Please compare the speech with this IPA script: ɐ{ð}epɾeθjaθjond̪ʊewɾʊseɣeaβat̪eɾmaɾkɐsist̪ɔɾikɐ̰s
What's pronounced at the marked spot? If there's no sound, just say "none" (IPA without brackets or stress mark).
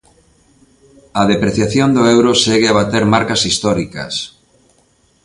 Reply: ð